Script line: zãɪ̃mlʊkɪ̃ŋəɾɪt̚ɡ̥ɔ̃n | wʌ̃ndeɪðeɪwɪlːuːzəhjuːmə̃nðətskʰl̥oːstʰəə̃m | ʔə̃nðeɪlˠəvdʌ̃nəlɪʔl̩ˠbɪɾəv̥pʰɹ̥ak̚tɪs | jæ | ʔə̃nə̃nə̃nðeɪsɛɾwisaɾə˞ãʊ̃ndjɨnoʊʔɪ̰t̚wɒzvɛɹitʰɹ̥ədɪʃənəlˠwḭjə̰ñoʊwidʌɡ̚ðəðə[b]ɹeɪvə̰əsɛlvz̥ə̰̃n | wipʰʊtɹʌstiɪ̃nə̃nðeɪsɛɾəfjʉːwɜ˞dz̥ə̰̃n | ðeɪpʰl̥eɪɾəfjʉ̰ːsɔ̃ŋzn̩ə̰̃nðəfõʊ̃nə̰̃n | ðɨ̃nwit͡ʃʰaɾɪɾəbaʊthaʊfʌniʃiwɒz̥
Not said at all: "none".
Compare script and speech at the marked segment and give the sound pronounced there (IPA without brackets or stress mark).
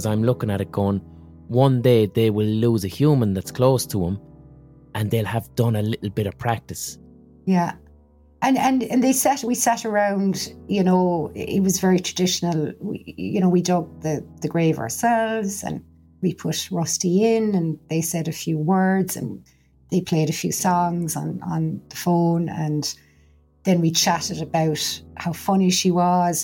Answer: ɡ